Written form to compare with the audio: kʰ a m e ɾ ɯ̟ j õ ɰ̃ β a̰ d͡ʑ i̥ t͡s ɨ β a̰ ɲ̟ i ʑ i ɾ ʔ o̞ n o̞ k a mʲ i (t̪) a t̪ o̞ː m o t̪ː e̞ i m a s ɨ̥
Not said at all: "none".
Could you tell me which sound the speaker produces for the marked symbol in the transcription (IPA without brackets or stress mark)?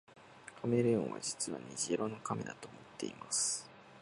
d̪